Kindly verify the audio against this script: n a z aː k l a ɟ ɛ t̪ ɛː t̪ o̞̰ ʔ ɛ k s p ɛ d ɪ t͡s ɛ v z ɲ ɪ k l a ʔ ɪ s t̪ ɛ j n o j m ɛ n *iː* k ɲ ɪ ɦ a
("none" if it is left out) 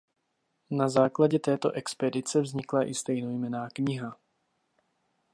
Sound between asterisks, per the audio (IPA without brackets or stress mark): aː